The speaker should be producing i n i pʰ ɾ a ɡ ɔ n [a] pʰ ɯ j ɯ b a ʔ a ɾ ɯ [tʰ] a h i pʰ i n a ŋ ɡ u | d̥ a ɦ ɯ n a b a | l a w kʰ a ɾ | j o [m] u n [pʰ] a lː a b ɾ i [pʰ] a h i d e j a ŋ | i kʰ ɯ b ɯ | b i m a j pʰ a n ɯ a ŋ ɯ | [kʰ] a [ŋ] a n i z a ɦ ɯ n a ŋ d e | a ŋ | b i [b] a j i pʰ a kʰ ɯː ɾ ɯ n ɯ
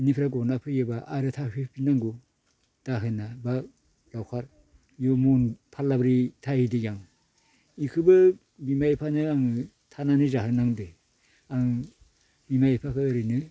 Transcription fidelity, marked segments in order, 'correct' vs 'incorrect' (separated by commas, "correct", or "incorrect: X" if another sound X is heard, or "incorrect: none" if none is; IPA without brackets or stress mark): correct, correct, correct, correct, incorrect: tʰ, incorrect: tʰ, incorrect: n, incorrect: m